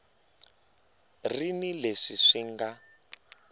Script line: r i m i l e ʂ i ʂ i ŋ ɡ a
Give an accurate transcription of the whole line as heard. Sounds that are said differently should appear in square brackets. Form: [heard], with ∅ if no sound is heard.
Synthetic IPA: r i [n] i l e ʂ i ʂ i ŋ ɡ a